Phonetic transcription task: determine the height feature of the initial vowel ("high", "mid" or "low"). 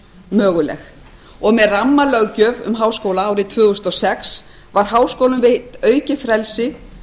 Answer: mid